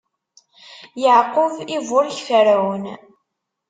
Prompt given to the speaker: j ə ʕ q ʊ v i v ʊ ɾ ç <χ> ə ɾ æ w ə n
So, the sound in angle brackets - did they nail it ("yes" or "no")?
no